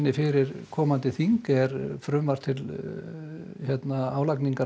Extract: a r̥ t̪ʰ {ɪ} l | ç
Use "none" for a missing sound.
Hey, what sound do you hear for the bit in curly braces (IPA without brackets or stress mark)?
ɪ